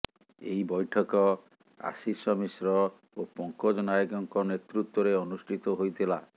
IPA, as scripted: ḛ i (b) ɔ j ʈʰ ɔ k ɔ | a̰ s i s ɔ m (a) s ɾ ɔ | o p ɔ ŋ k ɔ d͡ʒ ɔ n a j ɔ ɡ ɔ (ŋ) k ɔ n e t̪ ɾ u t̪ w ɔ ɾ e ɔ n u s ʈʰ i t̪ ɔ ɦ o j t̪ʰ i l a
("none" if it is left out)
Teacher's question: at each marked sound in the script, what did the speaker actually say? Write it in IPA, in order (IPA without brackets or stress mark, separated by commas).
b, i, ŋ